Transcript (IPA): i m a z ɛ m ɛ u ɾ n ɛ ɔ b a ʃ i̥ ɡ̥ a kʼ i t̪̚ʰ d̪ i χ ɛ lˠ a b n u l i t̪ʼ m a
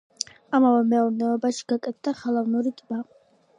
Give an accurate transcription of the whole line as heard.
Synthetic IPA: a m a v ɛ m ɛ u ɾ n ɛ ɔ b a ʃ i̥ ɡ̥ a kʼ ɛ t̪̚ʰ d̪ a χ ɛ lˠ a v n u ɾ i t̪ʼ m a